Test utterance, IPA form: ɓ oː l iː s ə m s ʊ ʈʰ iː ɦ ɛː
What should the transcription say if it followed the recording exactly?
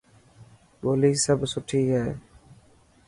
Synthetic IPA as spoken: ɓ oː l iː s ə b s ʊ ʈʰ iː ɦ ɛː